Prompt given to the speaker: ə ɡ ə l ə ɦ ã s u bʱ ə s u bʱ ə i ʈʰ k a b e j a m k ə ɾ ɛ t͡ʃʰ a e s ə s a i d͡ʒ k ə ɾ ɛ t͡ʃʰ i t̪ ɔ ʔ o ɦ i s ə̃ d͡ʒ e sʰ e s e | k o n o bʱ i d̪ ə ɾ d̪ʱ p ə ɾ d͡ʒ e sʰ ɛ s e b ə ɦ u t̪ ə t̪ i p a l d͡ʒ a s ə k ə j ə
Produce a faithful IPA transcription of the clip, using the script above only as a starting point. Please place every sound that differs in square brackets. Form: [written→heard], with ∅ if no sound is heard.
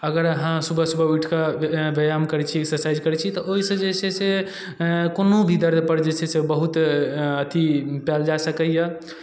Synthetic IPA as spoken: ə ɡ ə [l→ɾ] ə ɦ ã s u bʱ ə s u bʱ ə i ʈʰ k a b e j a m k ə ɾ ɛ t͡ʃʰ [a→i] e s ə s a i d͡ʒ k ə ɾ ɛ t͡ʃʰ i t̪ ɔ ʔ o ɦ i s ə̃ d͡ʒ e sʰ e s e | k o n o bʱ i d̪ ə ɾ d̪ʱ p ə ɾ d͡ʒ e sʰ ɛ s e b ə ɦ u t̪ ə t̪ i p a l d͡ʒ a s ə k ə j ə